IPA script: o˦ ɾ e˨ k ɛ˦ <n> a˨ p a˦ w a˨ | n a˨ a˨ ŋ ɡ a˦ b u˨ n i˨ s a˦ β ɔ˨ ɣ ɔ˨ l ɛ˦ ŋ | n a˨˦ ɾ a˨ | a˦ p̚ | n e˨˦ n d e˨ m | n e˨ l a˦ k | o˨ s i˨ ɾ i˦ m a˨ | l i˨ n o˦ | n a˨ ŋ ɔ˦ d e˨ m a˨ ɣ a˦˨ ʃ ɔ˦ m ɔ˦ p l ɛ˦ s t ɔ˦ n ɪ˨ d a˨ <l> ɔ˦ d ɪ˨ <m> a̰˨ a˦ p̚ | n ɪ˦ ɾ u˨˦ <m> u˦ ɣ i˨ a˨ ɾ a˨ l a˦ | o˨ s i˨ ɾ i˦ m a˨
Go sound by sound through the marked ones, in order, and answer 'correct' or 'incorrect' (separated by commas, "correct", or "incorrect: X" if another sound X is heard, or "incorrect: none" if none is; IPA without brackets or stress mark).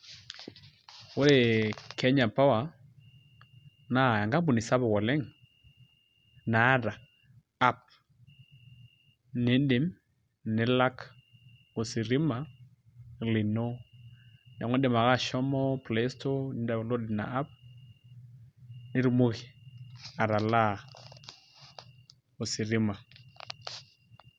incorrect: ɲ, correct, incorrect: n, correct